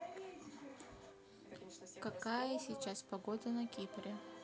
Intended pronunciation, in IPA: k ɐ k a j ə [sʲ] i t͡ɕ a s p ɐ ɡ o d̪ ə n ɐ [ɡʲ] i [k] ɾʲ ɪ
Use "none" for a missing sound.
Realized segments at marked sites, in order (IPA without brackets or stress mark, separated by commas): sʲ, kʲ, p